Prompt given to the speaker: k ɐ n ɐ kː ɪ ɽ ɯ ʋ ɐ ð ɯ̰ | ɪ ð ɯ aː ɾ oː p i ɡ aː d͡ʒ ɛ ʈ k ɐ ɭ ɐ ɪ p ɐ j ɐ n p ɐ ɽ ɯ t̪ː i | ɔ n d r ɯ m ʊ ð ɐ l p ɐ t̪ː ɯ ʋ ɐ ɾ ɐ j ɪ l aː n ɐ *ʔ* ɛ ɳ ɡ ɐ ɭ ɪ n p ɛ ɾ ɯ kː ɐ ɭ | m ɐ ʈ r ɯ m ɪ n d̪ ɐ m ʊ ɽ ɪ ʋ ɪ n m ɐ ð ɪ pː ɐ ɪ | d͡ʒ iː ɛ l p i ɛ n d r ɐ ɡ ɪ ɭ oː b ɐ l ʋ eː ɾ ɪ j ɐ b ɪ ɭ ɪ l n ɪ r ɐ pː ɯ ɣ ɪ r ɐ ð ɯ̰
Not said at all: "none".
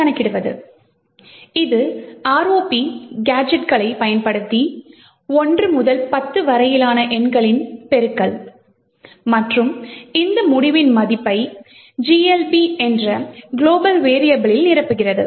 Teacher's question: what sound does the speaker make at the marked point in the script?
ʔ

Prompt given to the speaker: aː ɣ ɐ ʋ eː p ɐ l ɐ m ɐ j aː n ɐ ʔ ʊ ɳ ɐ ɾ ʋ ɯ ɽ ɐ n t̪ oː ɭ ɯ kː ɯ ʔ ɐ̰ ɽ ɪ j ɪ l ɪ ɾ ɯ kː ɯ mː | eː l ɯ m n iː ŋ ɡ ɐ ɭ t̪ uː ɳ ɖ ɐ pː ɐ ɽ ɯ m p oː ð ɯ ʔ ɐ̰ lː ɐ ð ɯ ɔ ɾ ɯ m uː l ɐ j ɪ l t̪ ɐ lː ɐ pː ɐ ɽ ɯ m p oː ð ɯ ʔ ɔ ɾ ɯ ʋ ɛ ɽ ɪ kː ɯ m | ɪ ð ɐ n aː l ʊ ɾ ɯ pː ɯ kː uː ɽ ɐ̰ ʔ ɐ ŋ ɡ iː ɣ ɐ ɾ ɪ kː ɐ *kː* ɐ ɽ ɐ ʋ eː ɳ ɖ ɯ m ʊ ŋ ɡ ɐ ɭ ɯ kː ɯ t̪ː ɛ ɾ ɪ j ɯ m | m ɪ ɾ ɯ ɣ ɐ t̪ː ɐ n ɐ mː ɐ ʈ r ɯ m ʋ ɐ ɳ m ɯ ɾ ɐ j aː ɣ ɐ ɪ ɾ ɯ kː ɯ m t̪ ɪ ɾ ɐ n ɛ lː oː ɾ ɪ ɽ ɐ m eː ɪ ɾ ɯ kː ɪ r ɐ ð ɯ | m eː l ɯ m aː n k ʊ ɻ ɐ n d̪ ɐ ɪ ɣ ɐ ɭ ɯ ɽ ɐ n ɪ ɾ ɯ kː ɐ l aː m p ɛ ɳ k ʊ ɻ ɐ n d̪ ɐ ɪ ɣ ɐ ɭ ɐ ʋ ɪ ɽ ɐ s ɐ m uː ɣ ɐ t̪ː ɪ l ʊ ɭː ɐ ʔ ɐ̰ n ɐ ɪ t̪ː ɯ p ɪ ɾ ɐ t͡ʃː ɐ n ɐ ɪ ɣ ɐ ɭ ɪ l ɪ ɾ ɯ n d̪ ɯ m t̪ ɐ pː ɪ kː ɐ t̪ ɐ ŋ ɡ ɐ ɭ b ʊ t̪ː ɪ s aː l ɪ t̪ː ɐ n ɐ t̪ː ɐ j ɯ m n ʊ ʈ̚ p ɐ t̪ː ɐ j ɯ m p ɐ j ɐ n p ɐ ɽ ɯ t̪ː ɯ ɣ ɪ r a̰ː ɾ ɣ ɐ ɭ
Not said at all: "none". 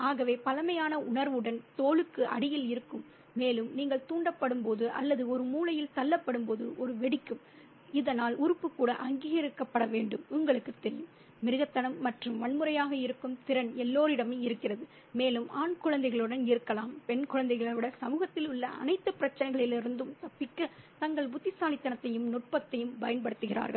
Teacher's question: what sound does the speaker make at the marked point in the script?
pː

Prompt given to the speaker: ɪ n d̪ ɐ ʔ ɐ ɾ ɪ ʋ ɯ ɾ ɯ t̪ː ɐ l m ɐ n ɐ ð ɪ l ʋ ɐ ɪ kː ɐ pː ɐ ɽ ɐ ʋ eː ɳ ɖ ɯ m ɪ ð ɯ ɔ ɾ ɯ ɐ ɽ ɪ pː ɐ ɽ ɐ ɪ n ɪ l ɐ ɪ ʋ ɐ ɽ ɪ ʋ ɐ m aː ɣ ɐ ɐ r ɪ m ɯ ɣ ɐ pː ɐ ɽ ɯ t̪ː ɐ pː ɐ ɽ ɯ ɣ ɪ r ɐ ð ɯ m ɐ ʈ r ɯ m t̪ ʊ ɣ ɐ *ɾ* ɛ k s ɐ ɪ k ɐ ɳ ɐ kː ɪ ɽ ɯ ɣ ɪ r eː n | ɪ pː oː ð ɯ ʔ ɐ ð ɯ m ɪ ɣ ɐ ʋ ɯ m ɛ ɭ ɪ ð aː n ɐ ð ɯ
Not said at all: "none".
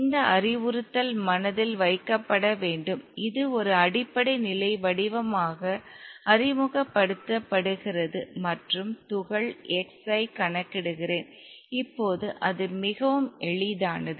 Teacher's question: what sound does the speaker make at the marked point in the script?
ɭ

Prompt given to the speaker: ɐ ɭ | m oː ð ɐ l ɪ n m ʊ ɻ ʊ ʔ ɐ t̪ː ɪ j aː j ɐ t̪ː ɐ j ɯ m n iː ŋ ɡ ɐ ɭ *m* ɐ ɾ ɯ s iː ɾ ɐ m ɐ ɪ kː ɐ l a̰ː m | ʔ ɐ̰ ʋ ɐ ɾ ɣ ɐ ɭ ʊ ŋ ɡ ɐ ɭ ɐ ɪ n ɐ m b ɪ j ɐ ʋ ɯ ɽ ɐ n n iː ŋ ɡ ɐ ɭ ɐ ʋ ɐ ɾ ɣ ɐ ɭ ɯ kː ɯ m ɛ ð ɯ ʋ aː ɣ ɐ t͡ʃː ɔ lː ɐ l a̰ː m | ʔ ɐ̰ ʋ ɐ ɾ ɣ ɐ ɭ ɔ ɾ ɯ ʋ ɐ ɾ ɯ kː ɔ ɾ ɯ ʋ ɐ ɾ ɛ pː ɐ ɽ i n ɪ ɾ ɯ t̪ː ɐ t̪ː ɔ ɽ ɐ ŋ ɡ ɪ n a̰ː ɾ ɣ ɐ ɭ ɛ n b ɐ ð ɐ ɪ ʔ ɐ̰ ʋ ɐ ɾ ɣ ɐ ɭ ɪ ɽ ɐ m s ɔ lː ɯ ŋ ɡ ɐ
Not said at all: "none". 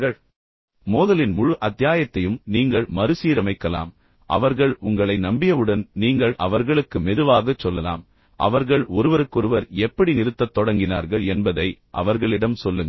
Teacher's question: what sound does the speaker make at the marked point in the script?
m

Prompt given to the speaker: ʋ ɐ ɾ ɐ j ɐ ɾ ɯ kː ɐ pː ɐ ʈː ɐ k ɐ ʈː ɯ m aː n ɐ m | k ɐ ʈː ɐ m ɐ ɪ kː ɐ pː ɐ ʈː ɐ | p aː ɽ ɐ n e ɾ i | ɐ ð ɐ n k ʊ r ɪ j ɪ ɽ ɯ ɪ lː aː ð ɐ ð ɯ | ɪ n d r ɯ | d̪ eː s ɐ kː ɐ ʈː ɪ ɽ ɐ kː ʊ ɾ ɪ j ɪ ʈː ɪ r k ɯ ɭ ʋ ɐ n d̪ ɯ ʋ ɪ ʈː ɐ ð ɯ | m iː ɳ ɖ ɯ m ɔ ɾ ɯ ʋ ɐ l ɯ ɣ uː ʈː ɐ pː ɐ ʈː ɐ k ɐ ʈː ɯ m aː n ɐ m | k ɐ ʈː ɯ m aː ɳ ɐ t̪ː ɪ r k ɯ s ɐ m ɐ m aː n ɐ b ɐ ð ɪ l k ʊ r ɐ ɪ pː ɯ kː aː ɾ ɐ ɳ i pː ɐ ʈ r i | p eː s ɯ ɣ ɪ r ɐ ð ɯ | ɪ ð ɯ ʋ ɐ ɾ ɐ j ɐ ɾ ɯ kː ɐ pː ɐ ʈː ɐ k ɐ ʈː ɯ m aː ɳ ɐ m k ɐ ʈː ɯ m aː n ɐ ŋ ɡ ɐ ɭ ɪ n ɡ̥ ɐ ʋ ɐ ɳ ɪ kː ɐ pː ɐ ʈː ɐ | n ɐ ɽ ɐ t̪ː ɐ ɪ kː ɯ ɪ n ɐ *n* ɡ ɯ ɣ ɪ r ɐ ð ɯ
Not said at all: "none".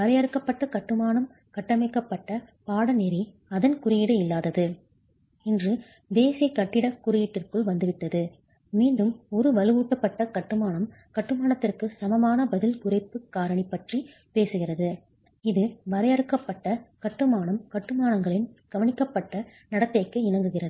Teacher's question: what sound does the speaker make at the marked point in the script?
ŋ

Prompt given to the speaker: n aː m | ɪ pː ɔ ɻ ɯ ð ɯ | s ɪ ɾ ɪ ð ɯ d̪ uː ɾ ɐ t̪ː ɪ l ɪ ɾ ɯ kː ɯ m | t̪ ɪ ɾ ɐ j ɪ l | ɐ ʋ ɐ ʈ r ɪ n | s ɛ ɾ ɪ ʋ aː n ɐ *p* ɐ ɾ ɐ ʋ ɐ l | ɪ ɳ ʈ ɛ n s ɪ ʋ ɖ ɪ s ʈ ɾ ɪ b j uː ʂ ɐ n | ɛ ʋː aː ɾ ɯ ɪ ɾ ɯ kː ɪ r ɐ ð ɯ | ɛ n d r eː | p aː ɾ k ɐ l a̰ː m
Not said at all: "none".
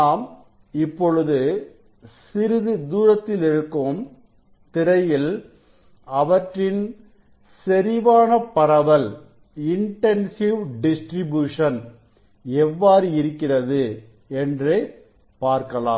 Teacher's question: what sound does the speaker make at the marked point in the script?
p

